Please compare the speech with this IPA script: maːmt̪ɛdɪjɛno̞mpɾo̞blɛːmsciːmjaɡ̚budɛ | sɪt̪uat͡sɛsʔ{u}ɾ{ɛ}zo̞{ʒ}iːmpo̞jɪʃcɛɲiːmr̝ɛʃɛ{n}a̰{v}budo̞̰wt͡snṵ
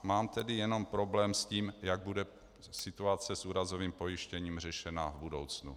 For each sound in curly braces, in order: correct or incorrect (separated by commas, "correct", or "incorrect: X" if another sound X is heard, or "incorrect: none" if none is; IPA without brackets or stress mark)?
incorrect: uː, incorrect: a, incorrect: v, correct, correct